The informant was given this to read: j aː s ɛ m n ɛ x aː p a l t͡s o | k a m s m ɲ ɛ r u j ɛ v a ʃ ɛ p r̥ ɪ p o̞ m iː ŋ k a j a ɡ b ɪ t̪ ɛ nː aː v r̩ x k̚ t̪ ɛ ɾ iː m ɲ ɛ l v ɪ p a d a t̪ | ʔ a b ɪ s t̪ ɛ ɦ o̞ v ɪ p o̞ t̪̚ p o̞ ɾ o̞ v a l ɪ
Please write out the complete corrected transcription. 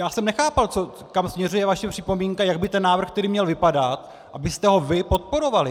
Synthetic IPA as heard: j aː s ɛ m n ɛ x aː p a l t͡s o | k a m s m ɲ ɛ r u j ɛ v a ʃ ɛ p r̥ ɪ p o̞ m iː ŋ k a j a ɡ b ɪ t̪ ɛ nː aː v r̩ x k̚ t̪ ɛ ɾ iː m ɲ ɛ l v ɪ p a d a t̪ | ʔ a b ɪ s t̪ ɛ ɦ o̞ v ɪ p o̞ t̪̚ p o̞ ɾ o̞ v a l ɪ